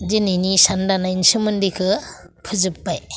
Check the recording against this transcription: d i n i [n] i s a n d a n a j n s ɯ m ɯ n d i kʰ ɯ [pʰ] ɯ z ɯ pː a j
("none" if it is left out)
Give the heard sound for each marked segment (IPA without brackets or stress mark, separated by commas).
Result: n, pʰ